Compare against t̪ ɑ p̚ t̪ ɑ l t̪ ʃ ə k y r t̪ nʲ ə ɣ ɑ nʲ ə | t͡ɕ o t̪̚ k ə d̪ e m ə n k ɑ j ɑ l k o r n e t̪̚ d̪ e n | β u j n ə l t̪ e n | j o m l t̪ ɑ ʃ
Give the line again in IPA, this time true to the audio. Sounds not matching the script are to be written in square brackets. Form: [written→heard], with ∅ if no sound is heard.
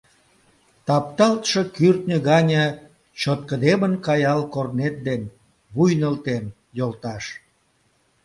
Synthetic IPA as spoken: t̪ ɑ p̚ t̪ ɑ l t̪ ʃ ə k y r t̪ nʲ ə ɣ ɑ nʲ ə | t͡ɕ o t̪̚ k ə d̪ e m ə n k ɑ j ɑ l k o r n e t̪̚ d̪ e n | β u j n ə l t̪ e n | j o [m→∅] l t̪ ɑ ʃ